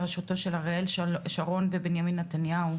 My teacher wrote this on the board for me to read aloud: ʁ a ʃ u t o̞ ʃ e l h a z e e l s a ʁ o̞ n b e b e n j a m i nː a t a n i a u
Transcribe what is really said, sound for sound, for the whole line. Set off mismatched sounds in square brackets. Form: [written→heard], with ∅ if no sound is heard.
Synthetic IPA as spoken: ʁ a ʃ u t o̞ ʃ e l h a [z→ʁ] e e l [s→ʃ] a ʁ o̞ n b e b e n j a m i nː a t a n [i→j] a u